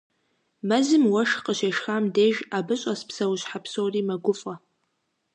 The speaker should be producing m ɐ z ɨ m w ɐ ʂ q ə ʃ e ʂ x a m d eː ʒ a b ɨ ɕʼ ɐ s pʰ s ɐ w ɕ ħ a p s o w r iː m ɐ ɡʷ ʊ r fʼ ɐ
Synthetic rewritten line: m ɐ z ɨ m w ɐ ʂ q ə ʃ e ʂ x a m d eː ʒ a b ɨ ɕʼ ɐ s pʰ s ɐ w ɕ ħ a p s o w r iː m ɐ ɡʷ ʊ fʼ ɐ